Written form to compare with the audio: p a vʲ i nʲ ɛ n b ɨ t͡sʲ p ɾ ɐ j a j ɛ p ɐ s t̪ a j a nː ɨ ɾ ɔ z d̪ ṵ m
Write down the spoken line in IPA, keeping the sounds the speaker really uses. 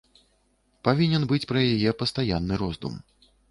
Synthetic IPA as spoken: p a vʲ i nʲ ɛ n b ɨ t͡sʲ p ɾ ɐ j a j ɛ p ɐ s t̪ a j a nː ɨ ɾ ɔ z d̪ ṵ m